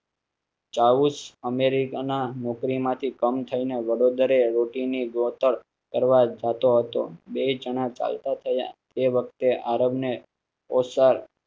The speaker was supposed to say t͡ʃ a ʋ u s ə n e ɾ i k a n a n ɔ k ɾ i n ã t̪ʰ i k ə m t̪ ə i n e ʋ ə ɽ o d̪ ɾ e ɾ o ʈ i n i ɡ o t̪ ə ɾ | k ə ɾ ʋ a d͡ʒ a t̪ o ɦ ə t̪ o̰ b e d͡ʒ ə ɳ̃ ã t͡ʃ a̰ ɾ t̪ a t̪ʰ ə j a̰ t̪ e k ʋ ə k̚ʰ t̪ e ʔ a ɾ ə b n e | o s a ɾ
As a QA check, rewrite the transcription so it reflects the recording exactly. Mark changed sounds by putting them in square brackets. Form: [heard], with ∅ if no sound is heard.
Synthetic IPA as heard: t͡ʃ a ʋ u s ə [m] e ɾ i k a n a n ɔ k ɾ i [m] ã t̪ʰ i k ə m [t̪ʰ] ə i n e ʋ ə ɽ o d̪ ɾ e ɾ o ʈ i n i ɡ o t̪ ə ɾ | k ə ɾ ʋ a d͡ʒ a t̪ o ɦ ə t̪ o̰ b e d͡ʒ ə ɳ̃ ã t͡ʃ a̰ [l] t̪ a t̪ʰ ə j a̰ t̪ e [∅] ʋ ə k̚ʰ t̪ e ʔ a ɾ ə b n e | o s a ɾ